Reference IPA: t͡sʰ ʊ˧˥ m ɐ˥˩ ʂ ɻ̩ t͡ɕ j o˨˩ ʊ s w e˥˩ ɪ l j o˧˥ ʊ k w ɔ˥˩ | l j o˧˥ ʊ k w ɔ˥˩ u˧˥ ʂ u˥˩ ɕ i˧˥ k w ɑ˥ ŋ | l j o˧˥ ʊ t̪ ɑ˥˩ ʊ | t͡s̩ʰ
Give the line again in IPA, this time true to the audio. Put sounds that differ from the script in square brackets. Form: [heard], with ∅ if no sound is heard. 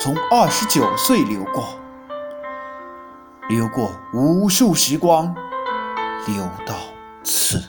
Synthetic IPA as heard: t͡sʰ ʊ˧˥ [ŋ] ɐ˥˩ ʂ ɻ̩ t͡ɕ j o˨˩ ʊ s w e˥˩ ɪ l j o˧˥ ʊ k w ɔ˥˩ | l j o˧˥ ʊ k w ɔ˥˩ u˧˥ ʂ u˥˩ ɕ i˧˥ k w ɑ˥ ŋ | l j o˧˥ ʊ t̪ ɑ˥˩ ʊ | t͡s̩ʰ